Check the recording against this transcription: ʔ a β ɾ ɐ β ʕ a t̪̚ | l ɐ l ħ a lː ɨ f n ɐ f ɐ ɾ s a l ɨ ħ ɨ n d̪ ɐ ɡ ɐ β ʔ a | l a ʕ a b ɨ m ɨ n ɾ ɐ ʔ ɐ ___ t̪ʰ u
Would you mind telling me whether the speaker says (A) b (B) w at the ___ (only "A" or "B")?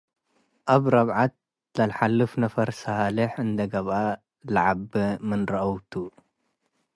B